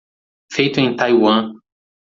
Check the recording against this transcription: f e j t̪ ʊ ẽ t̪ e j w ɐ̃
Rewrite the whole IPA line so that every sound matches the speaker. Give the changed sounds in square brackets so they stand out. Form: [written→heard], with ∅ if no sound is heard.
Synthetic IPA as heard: f e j t̪ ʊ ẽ t̪ [e→a] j w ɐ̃